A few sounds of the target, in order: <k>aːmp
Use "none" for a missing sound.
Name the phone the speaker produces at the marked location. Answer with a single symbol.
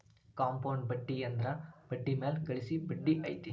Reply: k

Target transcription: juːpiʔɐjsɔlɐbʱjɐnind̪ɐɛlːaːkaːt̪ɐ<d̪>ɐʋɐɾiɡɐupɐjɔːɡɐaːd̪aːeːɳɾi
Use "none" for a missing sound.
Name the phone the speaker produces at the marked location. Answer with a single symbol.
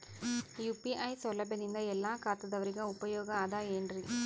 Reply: d̪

